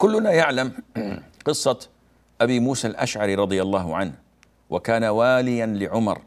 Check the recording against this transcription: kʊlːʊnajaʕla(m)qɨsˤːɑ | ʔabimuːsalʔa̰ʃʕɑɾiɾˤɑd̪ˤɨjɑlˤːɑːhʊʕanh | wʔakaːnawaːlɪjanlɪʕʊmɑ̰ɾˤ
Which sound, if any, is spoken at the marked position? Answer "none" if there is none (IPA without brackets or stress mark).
m